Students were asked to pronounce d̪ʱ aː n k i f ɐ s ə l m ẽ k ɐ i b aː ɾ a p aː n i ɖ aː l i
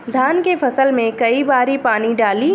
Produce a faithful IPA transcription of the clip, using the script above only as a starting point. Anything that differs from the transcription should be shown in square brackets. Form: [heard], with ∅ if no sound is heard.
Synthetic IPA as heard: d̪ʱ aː n k [e] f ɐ s ə l m ẽ k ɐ i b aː ɾ [i] p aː n i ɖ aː l i